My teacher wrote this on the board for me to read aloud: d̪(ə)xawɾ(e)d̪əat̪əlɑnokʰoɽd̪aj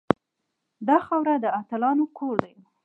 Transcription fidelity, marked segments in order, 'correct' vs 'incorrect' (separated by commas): incorrect, incorrect